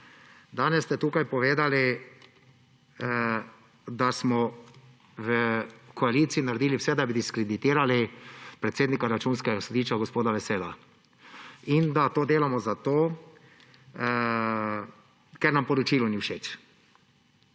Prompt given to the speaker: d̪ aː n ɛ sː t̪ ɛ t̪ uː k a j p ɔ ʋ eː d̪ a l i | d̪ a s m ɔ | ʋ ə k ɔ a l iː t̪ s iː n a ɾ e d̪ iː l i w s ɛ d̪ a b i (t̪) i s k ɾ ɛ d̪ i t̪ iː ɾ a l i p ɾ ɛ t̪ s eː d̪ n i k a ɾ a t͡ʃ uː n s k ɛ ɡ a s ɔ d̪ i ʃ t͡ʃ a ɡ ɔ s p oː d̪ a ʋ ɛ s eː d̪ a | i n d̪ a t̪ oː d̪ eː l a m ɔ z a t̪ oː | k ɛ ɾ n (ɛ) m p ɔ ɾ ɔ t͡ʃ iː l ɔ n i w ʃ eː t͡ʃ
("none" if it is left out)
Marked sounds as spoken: d̪, a

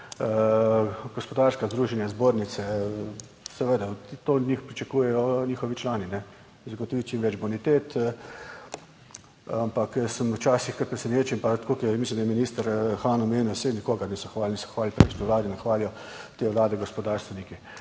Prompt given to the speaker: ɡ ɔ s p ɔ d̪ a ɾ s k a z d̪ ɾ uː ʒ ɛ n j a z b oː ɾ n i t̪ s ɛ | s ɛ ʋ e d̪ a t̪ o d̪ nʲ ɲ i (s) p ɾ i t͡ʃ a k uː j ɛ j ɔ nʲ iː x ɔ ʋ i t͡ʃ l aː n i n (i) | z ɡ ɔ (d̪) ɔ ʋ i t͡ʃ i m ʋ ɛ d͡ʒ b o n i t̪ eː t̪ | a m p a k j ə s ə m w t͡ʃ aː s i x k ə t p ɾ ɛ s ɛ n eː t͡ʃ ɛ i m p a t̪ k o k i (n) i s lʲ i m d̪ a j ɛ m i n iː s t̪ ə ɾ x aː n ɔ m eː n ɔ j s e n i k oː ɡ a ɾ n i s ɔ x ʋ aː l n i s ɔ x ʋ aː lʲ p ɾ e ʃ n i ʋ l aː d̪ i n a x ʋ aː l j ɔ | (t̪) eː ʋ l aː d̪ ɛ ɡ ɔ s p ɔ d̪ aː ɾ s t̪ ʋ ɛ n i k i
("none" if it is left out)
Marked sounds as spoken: x, ɛ, t̪, m, t̪

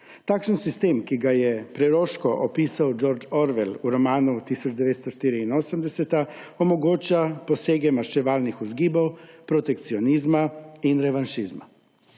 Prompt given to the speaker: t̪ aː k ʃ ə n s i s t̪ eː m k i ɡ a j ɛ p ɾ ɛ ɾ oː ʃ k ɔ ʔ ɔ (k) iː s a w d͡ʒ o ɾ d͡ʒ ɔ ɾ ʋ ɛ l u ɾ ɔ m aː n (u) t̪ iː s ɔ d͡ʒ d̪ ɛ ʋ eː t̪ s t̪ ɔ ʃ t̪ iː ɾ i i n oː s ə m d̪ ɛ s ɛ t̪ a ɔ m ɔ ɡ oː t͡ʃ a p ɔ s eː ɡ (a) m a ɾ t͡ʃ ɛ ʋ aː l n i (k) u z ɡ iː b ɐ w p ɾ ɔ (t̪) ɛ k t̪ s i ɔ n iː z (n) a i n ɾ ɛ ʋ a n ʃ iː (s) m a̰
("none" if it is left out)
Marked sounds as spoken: p, u, ɛ, x, t̪, m, z

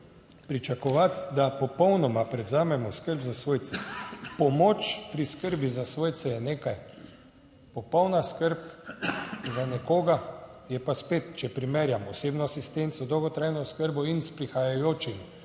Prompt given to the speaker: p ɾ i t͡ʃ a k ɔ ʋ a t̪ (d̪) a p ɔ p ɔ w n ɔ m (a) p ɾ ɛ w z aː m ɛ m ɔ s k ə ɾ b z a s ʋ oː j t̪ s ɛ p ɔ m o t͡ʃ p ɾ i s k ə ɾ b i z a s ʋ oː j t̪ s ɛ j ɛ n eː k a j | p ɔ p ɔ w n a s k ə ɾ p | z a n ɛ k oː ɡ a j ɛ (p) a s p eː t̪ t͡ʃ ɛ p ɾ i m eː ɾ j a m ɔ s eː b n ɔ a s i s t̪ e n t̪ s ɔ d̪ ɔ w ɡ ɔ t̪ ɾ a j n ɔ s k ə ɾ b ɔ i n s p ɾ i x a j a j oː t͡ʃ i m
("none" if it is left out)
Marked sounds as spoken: d̪, a, p

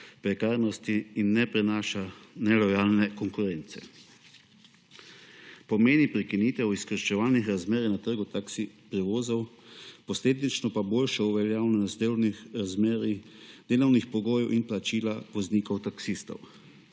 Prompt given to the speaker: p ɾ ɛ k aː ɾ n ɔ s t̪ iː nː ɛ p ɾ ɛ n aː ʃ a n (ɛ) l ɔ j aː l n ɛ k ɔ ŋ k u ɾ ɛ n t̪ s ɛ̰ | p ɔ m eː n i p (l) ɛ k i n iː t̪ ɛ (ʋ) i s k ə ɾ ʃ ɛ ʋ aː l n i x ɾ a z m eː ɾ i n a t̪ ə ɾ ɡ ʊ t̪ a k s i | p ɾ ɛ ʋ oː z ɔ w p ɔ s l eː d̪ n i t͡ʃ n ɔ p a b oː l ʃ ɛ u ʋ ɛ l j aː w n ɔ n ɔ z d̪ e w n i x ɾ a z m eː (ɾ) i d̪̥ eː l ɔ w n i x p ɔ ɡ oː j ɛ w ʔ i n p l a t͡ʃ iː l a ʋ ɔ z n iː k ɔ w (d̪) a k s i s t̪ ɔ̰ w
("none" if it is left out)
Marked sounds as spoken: ɛ, ɾ, w, ɾ, t̪

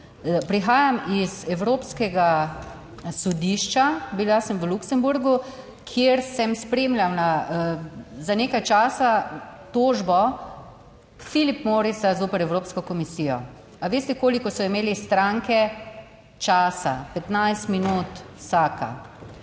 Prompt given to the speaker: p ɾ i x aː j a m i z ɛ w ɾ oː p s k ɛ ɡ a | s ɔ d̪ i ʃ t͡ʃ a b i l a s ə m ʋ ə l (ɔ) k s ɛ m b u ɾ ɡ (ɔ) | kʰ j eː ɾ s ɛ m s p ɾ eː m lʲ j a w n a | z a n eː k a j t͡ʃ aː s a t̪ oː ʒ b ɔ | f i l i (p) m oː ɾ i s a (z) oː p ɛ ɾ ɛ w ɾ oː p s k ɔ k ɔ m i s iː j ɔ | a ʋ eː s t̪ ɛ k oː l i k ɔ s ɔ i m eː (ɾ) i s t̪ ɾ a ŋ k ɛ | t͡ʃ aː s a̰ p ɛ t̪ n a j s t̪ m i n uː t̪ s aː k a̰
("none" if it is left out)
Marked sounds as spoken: u, u, p, z, l

